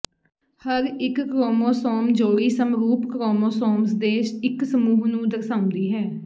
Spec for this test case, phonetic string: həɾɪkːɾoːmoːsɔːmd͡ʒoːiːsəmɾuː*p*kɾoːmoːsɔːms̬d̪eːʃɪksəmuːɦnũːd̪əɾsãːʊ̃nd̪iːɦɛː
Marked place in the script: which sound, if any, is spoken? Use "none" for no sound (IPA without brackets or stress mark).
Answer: p